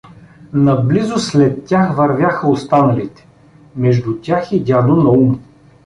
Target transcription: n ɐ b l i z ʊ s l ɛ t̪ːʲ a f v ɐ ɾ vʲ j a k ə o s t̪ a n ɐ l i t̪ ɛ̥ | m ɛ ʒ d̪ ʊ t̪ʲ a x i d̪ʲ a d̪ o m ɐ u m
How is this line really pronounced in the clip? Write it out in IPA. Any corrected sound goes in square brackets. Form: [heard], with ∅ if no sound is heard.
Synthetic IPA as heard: n ɐ b l i z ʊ s l ɛ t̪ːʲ a [x] v ɐ ɾ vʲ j a [x] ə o s t̪ a n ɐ l i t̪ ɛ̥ | m ɛ ʒ d̪ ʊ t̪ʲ a x i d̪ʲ a d̪ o [n] ɐ u m